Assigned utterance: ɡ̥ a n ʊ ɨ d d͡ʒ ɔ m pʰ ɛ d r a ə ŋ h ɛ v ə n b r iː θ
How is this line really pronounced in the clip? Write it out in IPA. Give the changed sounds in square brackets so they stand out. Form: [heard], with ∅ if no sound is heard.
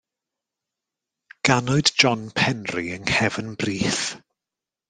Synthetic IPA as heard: ɡ̥ a n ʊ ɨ d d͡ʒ ɔ [n] pʰ ɛ [n] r [i] ə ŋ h ɛ v ə n b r iː θ

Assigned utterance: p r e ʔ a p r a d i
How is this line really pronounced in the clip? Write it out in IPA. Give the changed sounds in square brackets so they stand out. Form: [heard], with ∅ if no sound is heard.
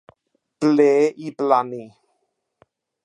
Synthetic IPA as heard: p [l] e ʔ [i] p [l] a [n] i

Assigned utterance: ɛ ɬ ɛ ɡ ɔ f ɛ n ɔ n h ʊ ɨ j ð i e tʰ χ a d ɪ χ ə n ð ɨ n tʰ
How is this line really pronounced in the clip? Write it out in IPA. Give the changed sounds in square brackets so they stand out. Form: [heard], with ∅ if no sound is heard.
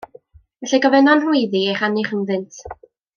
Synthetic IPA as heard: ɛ ɬ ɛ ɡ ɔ [v] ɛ n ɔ n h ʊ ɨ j ð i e [∅] χ a [n] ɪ χ ə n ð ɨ n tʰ

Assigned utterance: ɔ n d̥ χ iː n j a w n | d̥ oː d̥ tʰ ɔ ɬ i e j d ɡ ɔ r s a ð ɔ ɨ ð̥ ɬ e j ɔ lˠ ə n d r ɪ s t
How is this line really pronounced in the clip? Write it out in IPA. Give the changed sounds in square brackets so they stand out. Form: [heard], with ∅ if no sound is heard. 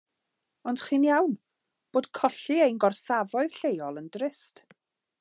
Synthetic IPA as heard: ɔ n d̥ χ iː n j a w n | [b̥] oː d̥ [kʰ] ɔ ɬ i e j [n] ɡ ɔ r s a [v] ɔ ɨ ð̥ ɬ e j ɔ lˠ ə n d r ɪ s t

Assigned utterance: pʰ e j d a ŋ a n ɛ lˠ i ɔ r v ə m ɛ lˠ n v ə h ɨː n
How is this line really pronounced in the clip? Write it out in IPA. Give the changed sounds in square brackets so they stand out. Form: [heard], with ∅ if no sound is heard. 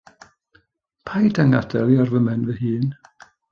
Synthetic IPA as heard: pʰ [a] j d a ŋ a [d] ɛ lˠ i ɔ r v ə m ɛ [∅] n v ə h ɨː n

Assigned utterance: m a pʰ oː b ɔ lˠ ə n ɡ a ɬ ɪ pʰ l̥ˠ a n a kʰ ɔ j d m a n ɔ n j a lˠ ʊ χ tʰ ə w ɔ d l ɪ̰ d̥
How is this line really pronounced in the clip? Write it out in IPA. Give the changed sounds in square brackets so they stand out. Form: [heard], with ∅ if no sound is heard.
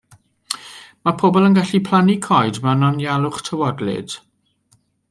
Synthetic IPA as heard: m a pʰ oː b ɔ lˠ ə n ɡ a ɬ [i] pʰ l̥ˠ a n [i] kʰ ɔ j d m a n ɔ n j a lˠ ʊ χ tʰ ə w ɔ d l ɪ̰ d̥

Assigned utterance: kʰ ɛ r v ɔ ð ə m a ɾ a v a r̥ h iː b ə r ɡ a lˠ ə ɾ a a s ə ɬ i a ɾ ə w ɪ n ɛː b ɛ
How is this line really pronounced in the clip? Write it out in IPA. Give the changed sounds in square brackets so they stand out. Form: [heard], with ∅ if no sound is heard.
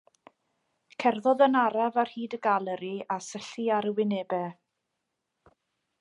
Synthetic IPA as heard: kʰ ɛ r [ð] ɔ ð ə [n] a ɾ a v a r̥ h iː [d] ə [∅] ɡ a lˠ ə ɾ [i] a s ə ɬ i a ɾ ə w ɪ n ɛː b ɛ

